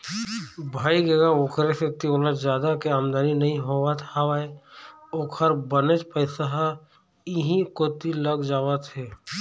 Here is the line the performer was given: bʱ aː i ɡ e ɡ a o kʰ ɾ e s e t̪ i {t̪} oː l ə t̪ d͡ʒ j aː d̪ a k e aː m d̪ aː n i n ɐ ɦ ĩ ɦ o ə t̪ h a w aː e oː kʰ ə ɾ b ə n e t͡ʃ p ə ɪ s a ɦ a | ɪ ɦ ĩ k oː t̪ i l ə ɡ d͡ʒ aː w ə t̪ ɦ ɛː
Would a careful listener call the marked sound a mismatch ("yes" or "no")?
yes